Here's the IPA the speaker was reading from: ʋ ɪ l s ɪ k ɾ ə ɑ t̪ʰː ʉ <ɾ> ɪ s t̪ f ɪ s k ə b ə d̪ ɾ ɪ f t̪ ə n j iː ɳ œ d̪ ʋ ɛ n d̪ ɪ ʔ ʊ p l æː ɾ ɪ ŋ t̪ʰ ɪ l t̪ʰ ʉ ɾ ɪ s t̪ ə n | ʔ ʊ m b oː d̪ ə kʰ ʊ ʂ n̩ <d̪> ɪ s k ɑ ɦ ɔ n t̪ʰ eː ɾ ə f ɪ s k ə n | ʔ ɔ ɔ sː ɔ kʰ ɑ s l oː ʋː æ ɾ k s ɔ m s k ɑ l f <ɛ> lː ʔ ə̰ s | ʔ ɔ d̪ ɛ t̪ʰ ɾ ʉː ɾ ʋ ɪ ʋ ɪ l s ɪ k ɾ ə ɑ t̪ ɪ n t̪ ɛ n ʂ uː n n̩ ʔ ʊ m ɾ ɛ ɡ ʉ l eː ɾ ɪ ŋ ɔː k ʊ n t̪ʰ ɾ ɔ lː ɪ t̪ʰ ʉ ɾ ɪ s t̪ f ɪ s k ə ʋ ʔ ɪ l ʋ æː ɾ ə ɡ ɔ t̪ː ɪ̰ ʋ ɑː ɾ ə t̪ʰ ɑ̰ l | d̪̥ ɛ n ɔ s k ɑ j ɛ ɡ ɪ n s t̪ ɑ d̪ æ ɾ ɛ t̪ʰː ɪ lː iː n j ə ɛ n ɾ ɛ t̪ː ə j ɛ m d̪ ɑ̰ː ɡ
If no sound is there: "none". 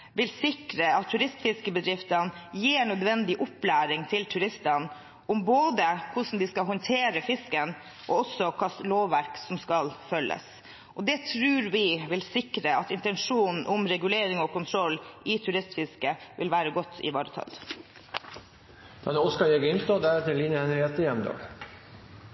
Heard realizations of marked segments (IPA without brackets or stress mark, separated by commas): ɾ, d̪, œ